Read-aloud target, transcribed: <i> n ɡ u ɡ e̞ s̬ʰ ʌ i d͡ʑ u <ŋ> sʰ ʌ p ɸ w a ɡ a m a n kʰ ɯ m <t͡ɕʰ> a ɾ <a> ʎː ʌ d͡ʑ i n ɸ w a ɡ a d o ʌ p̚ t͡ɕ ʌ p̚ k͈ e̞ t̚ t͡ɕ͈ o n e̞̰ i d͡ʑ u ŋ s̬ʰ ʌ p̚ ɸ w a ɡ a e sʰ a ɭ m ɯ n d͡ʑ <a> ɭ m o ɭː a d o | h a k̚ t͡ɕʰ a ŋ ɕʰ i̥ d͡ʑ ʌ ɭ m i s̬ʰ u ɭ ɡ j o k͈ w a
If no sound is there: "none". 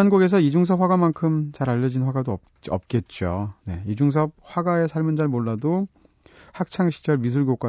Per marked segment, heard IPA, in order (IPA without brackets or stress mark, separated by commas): a, ŋ, t͡ɕ, a, a